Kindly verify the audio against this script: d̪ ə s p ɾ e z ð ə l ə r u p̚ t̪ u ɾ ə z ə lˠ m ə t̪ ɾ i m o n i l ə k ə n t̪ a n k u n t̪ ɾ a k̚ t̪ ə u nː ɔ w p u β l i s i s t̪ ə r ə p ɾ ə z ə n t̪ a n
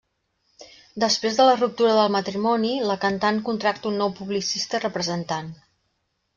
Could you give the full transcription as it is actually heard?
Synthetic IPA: d̪ ə s p ɾ e z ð ə l ə r u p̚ t̪ u ɾ ə ð ə lˠ m ə t̪ ɾ i m ɔ n i l ə k ə n t̪ a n k u n t̪ ɾ a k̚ t̪ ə u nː ɔ w p u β l i s i s t̪ ə r ə p ɾ ə z ə n t̪ a n